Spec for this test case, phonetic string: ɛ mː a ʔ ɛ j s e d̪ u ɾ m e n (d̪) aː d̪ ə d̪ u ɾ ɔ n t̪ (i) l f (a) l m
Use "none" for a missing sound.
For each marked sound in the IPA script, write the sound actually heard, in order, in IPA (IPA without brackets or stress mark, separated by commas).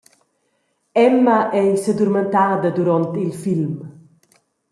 t̪, i, i